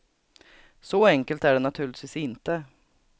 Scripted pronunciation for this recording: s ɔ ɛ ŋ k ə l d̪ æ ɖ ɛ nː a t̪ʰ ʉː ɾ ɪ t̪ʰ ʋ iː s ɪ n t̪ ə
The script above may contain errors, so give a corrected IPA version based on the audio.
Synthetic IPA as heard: s ɔ ɛ ŋ k ə l t̪ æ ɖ ɛ n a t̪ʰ ʉː ɭ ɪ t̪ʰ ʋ iː s ɪ n t̪ ə